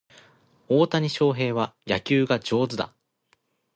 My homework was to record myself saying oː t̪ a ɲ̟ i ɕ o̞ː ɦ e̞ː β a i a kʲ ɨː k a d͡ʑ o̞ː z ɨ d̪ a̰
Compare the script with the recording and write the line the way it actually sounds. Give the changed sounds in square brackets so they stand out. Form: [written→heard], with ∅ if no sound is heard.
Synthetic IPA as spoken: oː t̪ a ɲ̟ i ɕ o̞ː ɦ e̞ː β a [i→j] a kʲ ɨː [k→ɡ] a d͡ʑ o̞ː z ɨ d̪ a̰